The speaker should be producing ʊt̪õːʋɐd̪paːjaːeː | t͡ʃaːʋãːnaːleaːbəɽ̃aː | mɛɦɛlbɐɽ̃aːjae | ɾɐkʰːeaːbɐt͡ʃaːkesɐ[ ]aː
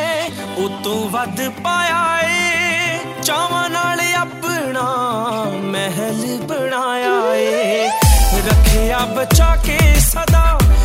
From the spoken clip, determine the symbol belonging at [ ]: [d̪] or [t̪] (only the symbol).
d̪